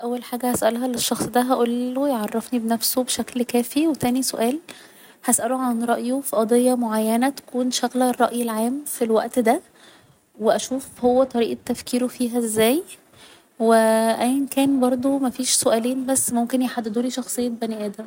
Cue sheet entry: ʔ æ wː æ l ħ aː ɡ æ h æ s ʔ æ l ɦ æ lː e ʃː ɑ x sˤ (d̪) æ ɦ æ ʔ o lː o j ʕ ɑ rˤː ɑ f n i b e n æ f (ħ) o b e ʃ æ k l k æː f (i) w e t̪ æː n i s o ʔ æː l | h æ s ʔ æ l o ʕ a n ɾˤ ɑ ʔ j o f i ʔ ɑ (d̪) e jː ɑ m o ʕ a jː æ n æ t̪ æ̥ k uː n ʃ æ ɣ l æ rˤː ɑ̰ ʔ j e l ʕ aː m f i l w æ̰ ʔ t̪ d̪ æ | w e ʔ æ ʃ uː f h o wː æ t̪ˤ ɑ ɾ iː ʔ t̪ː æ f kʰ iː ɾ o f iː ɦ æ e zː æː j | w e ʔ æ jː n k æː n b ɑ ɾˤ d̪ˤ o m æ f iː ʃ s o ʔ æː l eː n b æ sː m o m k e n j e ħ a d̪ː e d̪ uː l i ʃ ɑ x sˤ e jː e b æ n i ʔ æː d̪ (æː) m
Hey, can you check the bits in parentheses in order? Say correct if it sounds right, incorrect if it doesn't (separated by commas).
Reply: correct, incorrect, correct, correct, incorrect